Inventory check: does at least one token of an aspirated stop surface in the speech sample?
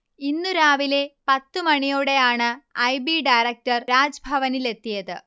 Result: no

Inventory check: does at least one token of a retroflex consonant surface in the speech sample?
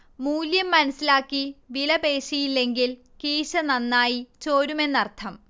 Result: no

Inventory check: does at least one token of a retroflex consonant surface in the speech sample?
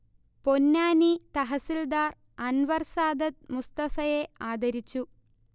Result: no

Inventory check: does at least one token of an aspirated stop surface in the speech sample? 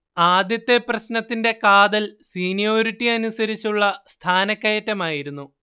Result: yes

